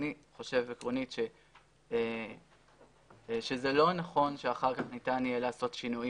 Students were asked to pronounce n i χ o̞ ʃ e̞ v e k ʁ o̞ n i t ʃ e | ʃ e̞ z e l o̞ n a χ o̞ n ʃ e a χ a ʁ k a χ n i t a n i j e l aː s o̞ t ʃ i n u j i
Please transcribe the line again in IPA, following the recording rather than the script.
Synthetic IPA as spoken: n i χ o̞ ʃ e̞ v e k ʁ o̞ n i t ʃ e | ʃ e̞ z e l o̞ n a χ o̞ n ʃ e a χ a ʁ k a χ n i t a n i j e l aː s o̞ t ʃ i n u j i

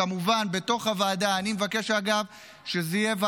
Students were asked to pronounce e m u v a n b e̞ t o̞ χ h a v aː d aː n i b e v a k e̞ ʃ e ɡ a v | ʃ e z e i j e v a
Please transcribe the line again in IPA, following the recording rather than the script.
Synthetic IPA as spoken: a m u v a n b e̞ t o̞ χ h a v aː d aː n i m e v a k e̞ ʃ a ɡ a v | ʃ e z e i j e v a

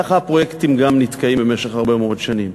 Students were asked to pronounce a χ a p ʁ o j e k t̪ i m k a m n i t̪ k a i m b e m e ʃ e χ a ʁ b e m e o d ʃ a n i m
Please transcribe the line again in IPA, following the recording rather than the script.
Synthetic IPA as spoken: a χ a p ʁ o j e k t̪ i m ɡ a m n i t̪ k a i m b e m e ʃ e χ a ʁ b e m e o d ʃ a n i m

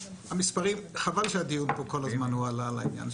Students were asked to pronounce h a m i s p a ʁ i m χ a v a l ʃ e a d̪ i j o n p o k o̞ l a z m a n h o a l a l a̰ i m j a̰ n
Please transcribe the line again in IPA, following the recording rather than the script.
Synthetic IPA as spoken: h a m i s p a ʁ i m χ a v a l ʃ e a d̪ i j u n p o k o̞ l a z m a n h u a l a l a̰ i n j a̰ n

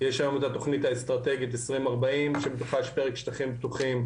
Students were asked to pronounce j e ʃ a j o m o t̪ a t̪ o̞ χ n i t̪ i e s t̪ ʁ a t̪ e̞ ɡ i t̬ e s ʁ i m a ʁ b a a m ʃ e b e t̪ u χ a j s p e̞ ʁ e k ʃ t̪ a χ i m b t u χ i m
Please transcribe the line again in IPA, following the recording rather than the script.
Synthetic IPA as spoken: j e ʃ a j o m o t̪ a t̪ o̞ χ n i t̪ a e s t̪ ʁ a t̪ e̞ ɡ i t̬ e s ʁ i m a ʁ b a i m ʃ e b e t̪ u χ a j ʃ p e̞ ʁ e k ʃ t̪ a χ i m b t u χ i m

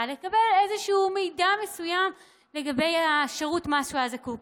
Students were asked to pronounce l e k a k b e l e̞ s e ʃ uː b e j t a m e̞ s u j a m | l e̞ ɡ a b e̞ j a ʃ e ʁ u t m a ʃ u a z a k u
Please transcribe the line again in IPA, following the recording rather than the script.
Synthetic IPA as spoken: l e k a b e l e̞ z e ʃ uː m e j d a m e̞ s u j a m | l e̞ ɡ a b e̞ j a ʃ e ʁ u t m a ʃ u a z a k u

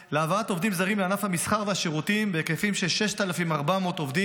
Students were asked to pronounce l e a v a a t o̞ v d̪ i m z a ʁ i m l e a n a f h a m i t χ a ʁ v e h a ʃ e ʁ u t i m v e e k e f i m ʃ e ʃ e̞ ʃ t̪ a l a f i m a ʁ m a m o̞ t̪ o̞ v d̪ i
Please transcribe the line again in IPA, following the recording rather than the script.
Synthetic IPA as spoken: l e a v a a t o̞ v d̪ i m z a ʁ i m l e a n a f h a m i s χ a ʁ v e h a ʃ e ʁ u t i m b e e k e f i m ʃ e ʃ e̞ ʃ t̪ a l a f i m a ʁ b a m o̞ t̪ o̞ v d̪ i

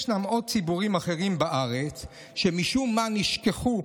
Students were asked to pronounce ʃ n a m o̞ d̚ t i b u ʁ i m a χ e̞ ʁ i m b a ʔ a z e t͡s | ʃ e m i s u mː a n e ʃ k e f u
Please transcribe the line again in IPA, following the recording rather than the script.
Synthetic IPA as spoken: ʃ n a m o̞ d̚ t͡s i b u ʁ i m a χ e̞ ʁ i m b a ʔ a ʁ e t͡s | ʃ e m i ʃ u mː a n i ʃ k e χ u

